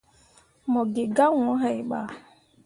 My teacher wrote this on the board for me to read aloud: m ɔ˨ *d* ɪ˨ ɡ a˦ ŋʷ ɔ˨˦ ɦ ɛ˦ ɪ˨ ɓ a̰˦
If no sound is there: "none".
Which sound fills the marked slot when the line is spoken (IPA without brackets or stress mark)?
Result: ɡ